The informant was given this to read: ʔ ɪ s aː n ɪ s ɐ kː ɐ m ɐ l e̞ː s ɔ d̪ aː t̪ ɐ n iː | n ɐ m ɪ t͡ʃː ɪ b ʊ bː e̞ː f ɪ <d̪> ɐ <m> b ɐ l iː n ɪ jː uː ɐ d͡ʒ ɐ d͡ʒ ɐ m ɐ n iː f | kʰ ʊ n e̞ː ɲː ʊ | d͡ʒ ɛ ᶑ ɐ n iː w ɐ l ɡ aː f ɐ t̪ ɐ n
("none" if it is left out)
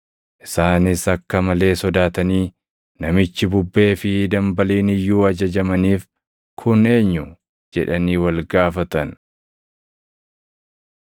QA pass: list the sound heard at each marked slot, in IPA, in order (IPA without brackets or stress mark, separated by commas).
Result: d̪, m